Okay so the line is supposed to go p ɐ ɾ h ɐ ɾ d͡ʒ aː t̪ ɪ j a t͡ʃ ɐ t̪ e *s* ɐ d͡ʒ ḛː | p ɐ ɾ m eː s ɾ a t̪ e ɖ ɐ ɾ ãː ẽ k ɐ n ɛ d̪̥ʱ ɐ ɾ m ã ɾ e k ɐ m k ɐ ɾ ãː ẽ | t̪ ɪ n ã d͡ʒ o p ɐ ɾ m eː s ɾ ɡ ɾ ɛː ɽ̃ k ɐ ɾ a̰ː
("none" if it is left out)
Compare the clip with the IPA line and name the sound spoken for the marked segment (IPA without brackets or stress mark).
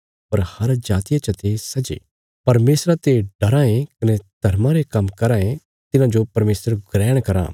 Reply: s